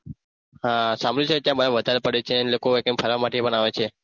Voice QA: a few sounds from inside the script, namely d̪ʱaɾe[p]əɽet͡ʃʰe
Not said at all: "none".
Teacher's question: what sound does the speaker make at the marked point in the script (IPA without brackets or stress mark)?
p